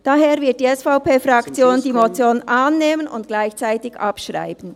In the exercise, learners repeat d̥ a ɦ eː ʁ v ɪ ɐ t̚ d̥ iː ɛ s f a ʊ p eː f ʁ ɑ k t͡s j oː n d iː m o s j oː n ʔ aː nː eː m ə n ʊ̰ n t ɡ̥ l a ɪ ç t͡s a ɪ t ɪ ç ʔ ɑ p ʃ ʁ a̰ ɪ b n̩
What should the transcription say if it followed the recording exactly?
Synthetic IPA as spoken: d̥ a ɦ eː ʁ v ɪ ɐ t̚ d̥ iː ɛ s f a ʊ p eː f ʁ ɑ k t͡s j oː n d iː m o t͡s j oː n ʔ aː nː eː m ə n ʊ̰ n t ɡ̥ l a ɪ ç t͡s a ɪ t ɪ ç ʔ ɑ p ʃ ʁ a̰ ɪ b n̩